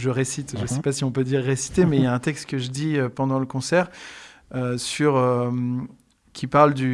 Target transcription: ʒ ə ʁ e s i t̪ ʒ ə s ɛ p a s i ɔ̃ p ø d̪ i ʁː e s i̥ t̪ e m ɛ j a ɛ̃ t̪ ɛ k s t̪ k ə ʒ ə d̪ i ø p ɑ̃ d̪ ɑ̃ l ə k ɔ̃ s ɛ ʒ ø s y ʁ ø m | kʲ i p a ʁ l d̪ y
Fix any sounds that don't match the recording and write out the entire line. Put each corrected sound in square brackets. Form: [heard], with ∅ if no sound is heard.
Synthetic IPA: ʒ ə ʁ e s i t̪ ʒ ə s ɛ p a s i ɔ̃ p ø d̪ i ʁː e s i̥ t̪ e m ɛ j a ɛ̃ t̪ ɛ k s t̪ k ə ʒ ə d̪ i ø p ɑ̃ d̪ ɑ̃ l ə k ɔ̃ s ɛ [ʁ] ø s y ʁ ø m | kʲ i p a ʁ l d̪ y